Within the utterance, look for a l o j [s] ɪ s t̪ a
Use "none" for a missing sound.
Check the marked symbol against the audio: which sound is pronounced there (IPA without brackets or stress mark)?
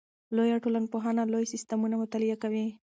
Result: s